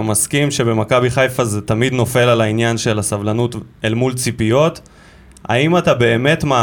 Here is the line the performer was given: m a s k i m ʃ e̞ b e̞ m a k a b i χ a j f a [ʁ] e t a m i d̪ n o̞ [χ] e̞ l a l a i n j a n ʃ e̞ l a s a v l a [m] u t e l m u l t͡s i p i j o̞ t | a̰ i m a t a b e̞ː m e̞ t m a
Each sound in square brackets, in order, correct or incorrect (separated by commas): incorrect, incorrect, incorrect